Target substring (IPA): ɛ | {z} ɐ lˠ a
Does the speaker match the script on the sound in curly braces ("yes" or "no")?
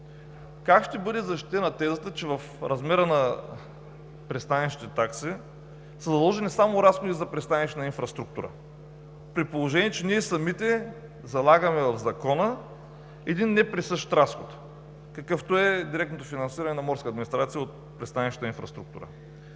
yes